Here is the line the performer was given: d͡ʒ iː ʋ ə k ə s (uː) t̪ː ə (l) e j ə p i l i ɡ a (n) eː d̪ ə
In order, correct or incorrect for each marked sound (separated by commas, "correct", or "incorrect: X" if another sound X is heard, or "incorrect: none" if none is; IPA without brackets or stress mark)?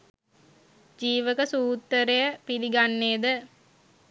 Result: correct, incorrect: ɾ, incorrect: nː